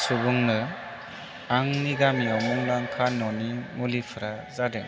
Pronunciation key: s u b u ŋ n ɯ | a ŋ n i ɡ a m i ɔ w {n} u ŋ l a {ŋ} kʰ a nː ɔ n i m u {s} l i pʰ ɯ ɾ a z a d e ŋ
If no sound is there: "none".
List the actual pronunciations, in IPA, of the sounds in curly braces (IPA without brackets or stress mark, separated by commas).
m, ŋ, none